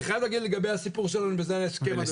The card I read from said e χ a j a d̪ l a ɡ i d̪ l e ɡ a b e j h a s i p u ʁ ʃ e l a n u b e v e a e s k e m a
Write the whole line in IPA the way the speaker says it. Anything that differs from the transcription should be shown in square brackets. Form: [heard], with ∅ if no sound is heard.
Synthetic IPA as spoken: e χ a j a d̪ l a ɡ i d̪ l e ɡ a b e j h a s i p u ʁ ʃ e l a n u b e [z] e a e s k e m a

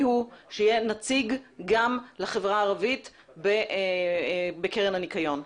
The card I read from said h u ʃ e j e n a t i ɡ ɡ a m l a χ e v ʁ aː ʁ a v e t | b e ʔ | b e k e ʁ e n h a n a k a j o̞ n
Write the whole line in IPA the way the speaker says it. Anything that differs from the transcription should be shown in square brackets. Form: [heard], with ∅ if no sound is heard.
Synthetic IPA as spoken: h u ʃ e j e n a [t͡s] i ɡ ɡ a m l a χ e v ʁ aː ʁ a v [i] t | b e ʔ | b e k e ʁ e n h a n [i] k a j o̞ n

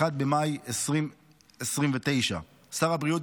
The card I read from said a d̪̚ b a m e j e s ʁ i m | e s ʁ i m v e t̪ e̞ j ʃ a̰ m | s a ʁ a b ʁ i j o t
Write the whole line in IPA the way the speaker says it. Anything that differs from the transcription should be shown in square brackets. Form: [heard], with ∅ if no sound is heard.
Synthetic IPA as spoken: a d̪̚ b [e] m [a] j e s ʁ i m | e s ʁ i m v e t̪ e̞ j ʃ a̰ [∅] | s a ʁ a b ʁ i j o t

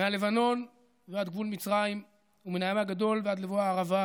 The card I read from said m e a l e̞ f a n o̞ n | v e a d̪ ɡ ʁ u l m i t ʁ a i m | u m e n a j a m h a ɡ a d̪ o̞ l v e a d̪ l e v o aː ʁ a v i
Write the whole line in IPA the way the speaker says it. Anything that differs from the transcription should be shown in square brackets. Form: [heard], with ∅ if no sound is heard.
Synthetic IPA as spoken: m e a l e̞ [v] a n o̞ n | v e a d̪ ɡ [v] u l m i [t͡s] ʁ a i m | u m e n a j a m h a ɡ a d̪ o̞ l v e a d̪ l e v o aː ʁ a v [a]

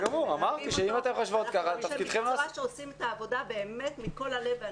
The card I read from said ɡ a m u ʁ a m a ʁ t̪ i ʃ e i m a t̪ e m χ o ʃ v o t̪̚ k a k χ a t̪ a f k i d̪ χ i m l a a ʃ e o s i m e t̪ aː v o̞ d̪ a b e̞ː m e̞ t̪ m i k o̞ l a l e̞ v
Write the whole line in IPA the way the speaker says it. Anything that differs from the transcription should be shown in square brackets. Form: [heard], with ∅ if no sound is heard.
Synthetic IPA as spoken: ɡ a m u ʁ a m a ʁ t̪ i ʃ e i m a t̪ e m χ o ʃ v o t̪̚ k a [∅] χ a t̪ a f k i d̪ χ [e] m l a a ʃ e o s i m e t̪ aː v o̞ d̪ a b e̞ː m e̞ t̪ m i k o̞ l a l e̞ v

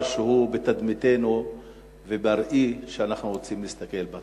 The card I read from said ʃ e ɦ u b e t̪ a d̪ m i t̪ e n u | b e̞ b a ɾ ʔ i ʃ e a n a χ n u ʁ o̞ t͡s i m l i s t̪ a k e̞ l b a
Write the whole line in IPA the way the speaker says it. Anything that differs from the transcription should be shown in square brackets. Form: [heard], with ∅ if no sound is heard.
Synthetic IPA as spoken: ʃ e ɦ u b e t̪ a d̪ m i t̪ e n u | [v] e̞ b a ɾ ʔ i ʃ e a n a χ n u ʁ o̞ t͡s i m l i s t̪ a k e̞ l b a

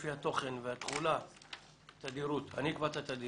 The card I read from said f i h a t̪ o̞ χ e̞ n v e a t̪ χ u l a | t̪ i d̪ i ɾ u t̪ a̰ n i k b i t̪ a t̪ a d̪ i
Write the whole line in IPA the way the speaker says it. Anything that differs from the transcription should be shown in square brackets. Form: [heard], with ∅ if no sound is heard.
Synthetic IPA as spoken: f i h a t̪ o̞ χ e̞ n v e a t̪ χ u l a | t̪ [a] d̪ i ɾ u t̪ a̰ n i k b [a] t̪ a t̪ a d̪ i

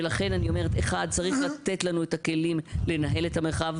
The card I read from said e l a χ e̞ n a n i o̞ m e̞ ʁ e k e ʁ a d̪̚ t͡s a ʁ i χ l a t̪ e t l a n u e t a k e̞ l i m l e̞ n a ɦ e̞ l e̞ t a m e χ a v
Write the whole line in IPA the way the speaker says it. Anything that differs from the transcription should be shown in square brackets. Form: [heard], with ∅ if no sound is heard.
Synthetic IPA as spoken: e l a χ e̞ n a n i o̞ m e̞ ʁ e [t] e [χ] a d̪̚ t͡s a ʁ i χ l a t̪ e t l a n u e t a k e̞ l i m l e̞ n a ɦ e̞ l e̞ t a m e χ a v

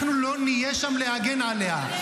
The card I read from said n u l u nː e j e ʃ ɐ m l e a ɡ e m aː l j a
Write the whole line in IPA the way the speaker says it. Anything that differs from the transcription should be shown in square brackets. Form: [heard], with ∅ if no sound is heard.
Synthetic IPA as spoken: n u l [o] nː [i] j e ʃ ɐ m l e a ɡ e [n] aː l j a

